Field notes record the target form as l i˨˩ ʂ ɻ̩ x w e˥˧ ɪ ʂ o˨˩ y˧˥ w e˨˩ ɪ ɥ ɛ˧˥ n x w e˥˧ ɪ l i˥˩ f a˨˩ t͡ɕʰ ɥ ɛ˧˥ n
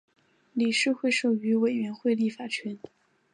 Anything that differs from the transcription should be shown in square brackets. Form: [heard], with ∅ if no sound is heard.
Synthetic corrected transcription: l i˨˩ ʂ ɻ̩ x w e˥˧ ɪ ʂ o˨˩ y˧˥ w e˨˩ ɪ ɥ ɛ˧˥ n x w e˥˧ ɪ l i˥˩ f a˨˩ t͡ɕʰ ɥ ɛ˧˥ n